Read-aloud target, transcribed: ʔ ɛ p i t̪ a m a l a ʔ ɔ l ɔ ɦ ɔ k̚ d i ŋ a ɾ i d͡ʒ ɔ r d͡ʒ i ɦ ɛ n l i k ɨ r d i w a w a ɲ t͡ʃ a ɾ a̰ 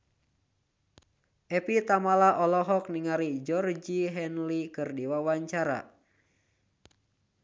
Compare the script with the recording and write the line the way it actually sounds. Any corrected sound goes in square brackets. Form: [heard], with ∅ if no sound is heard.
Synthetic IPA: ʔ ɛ p i t̪ a m a l a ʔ ɔ l ɔ ɦ ɔ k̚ [n] i ŋ a ɾ i d͡ʒ ɔ r d͡ʒ i ɦ ɛ n l i k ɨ r d i w a w a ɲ t͡ʃ a ɾ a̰